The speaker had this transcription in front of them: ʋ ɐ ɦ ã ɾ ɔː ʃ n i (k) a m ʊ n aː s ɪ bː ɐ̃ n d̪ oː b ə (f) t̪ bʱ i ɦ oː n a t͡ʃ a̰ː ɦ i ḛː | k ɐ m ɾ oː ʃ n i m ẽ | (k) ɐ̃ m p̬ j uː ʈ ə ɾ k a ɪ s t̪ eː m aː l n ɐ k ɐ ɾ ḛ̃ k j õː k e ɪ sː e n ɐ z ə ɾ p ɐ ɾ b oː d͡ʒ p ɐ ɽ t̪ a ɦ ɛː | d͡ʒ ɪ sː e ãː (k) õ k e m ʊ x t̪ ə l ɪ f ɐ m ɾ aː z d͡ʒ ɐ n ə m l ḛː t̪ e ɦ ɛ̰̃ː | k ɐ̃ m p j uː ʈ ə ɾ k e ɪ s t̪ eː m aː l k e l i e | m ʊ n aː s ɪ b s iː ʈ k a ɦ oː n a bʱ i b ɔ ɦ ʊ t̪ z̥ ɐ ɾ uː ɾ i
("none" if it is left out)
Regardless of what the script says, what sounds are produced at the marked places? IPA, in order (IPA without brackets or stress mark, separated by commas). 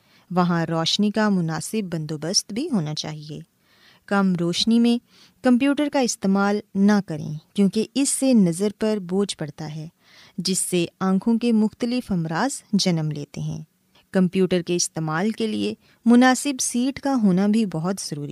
k, s, k, kʰ